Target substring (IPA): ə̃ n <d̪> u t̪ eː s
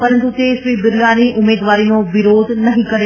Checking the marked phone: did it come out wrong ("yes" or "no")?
yes